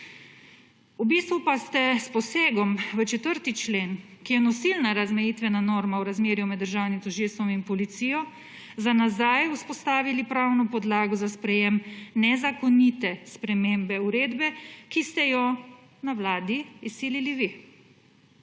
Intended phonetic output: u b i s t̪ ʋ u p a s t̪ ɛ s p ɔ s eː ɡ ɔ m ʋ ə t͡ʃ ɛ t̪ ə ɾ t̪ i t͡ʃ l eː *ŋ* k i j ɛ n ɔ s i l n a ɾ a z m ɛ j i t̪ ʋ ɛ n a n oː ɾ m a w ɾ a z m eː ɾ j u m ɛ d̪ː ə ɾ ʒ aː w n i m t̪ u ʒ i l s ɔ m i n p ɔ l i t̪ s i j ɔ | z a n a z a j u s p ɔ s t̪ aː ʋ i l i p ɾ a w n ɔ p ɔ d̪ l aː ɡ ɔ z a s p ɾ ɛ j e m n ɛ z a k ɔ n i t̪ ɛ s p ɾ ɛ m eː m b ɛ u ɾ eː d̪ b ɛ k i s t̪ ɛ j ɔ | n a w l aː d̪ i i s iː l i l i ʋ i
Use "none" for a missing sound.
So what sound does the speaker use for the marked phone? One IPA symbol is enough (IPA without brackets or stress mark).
n